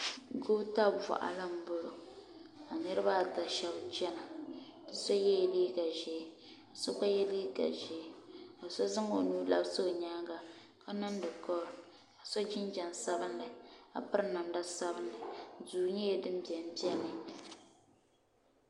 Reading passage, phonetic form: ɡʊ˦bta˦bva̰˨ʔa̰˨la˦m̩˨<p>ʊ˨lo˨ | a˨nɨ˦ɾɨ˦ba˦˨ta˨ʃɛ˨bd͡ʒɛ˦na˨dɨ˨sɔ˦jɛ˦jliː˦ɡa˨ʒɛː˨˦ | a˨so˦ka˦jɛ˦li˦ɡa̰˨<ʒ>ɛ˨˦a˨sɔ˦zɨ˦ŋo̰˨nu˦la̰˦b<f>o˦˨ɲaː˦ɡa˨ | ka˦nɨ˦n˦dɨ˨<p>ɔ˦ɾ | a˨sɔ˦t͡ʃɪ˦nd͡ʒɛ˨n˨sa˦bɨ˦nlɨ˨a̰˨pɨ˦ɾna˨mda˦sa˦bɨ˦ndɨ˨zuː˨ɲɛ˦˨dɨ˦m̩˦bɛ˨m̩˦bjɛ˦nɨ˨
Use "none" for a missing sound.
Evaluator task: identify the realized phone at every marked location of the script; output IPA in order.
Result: b, ʒ, s, k

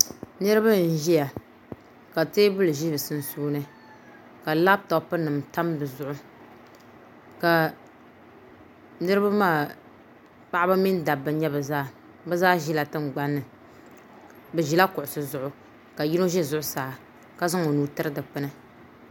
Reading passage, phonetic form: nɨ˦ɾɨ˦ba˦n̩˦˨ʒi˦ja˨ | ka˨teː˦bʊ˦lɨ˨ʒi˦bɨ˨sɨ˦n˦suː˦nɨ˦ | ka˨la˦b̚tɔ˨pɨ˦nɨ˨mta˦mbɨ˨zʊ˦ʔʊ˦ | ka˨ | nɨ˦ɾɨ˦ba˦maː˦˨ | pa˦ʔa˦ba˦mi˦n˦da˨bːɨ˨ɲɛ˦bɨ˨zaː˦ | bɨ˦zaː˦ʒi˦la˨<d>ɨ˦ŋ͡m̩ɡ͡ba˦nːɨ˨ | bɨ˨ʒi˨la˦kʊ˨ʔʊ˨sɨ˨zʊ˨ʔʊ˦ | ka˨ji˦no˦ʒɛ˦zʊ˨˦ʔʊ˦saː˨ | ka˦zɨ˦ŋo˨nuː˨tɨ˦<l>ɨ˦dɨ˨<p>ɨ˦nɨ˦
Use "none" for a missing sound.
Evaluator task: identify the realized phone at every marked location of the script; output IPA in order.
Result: t, ɾ, k͡p

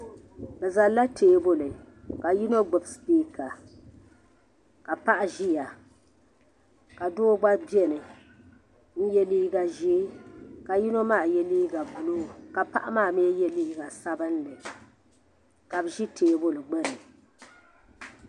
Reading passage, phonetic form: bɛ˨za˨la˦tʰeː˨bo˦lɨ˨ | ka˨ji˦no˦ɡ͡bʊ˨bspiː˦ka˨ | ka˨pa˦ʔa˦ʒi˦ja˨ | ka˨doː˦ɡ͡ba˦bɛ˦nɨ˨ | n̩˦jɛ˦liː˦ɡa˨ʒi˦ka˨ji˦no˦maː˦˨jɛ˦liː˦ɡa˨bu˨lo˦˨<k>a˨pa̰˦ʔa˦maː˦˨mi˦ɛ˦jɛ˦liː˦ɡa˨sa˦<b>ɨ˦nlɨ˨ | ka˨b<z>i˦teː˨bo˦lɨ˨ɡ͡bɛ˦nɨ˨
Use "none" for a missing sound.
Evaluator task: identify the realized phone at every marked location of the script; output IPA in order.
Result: k, b, ʒ

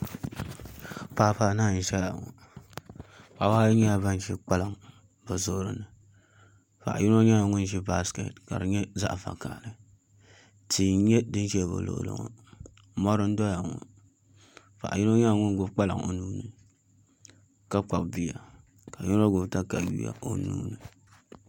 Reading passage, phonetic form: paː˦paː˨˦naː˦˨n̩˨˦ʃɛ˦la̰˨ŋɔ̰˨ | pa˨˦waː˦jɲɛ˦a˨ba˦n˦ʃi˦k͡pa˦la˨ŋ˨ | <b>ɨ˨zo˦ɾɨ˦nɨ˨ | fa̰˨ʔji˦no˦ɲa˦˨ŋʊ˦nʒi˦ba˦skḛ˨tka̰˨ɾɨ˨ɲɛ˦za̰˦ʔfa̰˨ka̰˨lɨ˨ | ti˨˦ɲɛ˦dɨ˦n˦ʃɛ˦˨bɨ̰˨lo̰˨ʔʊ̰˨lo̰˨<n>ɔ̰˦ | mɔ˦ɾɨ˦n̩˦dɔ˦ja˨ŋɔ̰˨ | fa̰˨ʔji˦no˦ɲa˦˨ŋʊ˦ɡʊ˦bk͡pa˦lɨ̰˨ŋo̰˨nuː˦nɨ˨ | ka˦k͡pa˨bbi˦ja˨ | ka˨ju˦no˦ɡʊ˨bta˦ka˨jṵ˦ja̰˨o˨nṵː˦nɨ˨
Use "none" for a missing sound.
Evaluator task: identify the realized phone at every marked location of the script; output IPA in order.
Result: b, ŋ

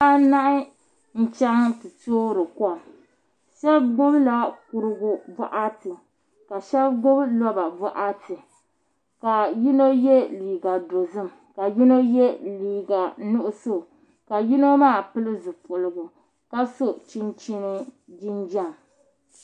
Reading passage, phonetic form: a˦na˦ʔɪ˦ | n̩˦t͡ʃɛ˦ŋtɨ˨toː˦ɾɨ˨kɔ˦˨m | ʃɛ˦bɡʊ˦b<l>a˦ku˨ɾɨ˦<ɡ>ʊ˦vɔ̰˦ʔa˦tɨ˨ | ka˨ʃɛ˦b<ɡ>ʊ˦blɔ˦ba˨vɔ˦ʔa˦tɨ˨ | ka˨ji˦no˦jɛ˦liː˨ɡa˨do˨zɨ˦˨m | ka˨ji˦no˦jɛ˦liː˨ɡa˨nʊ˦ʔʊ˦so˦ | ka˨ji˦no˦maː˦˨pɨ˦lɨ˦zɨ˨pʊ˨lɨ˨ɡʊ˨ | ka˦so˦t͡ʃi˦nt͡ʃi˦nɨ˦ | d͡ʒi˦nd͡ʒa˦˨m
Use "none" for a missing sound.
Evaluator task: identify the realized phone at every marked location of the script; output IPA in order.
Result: l, ɡ, ɡ

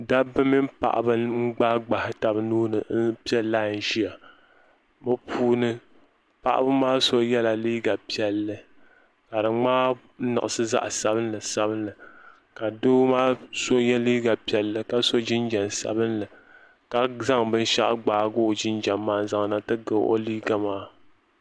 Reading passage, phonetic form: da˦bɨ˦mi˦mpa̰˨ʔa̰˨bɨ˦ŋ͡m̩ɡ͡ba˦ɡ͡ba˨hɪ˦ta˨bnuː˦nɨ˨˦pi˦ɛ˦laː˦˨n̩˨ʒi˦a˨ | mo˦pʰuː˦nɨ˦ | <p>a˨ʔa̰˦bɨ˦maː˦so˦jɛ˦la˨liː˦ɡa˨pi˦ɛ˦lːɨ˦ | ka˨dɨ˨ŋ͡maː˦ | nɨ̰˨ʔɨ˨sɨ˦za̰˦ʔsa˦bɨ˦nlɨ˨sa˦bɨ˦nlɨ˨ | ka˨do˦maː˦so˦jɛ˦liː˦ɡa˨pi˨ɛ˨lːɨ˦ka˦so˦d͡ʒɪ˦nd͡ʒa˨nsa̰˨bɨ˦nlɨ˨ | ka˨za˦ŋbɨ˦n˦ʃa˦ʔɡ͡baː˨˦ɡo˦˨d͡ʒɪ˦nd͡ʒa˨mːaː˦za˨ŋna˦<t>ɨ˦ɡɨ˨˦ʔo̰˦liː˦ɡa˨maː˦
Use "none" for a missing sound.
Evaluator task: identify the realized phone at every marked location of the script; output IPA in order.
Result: p, t

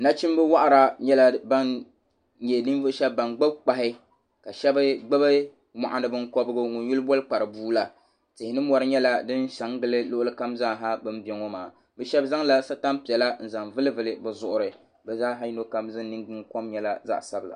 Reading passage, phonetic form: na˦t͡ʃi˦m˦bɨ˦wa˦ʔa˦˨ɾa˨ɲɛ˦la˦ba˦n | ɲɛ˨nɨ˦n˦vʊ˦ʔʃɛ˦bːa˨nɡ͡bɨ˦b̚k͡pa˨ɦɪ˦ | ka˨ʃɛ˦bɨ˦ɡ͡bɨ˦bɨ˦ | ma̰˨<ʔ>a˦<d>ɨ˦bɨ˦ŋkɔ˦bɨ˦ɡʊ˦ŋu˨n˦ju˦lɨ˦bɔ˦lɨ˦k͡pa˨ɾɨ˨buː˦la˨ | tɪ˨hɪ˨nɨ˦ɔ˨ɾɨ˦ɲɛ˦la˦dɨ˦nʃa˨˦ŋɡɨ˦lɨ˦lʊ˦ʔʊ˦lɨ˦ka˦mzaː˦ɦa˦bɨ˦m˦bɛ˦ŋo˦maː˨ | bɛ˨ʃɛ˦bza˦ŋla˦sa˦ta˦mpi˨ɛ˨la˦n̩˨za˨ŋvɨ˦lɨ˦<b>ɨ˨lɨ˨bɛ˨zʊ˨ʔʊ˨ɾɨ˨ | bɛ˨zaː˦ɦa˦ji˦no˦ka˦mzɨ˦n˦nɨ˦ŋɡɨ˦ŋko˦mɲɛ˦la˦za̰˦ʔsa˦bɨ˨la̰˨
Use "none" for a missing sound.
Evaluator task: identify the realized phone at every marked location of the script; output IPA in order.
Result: ʔ, n, v

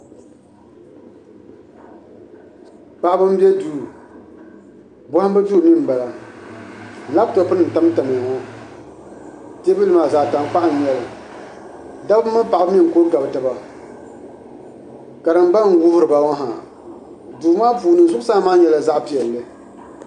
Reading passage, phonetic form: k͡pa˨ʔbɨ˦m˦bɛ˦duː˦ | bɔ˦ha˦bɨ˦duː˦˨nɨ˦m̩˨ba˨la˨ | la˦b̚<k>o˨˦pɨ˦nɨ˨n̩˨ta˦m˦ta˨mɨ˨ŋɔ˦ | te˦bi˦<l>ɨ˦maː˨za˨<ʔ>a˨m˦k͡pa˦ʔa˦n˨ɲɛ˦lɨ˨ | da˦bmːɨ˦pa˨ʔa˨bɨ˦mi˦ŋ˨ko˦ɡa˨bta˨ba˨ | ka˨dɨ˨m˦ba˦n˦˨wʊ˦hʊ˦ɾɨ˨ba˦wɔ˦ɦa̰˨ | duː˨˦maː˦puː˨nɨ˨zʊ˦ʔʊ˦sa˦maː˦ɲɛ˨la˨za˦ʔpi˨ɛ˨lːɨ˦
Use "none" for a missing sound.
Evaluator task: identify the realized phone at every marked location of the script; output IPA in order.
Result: t, l, t

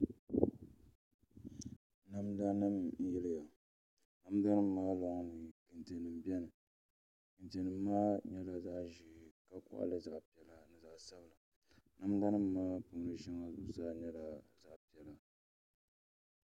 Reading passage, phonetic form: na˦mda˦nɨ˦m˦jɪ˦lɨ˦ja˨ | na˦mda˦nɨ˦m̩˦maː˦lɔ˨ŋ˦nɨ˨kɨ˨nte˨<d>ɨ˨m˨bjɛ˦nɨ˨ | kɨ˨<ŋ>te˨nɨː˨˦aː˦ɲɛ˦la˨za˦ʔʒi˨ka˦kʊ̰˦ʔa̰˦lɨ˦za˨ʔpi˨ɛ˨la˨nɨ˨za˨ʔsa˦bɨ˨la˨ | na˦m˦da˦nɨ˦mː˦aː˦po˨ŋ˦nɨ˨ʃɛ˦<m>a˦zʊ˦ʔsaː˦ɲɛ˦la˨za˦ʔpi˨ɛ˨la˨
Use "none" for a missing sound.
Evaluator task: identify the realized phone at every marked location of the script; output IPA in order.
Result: n, n, ŋ

